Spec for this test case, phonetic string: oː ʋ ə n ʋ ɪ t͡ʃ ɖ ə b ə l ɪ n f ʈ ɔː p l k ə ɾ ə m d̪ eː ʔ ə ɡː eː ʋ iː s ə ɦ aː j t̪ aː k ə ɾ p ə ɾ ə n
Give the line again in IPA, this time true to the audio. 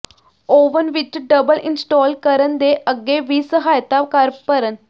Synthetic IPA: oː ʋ ə n ʋ ɪ t͡ʃ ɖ ə b ə l ɪ n s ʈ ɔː l k ə ɾ ə n d̪ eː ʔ ə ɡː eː ʋ iː s ə ɦ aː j t̪ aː k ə ɾ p ə ɾ ə n